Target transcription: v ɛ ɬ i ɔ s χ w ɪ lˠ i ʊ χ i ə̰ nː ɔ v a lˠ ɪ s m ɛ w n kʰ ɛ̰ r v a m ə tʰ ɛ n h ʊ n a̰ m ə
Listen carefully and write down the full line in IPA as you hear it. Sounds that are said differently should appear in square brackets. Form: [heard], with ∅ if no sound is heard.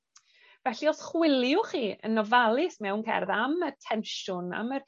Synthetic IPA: v ɛ ɬ i ɔ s χ w ɪ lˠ [j] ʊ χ [iː] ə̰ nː ɔ v a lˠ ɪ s m ɛ w n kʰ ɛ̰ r [ð] a m ə tʰ ɛ n [ʃ] ʊ n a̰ m ə